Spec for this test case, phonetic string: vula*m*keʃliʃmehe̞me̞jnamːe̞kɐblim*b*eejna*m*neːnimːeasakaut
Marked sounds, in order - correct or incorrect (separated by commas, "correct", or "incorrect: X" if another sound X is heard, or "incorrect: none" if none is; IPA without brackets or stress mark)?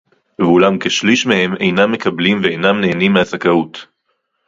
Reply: correct, incorrect: v, correct